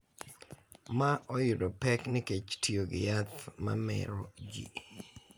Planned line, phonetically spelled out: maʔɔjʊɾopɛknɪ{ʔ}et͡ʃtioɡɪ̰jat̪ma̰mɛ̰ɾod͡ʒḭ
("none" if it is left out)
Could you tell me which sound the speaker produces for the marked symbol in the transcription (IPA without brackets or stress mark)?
k